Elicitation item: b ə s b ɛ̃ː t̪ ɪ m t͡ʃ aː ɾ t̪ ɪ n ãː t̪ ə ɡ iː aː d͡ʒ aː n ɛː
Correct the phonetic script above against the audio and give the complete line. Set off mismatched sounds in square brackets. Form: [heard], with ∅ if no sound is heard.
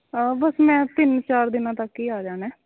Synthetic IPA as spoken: b ə s [m] ɛ̃ː t̪ ɪ [n] t͡ʃ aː ɾ [d̪] ɪ n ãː t̪ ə [k] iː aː d͡ʒ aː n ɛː